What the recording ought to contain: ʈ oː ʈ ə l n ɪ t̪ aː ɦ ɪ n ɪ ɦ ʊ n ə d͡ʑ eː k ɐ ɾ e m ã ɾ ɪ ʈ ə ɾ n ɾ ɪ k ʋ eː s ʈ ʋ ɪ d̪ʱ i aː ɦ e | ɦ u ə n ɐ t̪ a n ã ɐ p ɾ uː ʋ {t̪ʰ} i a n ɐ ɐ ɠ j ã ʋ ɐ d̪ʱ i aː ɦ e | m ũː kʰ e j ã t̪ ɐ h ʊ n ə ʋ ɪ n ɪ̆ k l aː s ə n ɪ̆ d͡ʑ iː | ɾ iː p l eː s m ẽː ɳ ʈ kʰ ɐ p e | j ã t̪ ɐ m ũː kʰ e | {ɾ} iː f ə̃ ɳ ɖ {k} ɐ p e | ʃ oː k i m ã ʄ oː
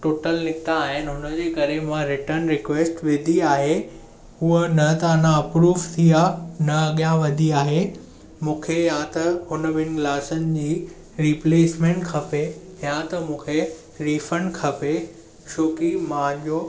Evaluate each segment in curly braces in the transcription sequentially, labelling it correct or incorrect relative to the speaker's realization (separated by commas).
correct, correct, incorrect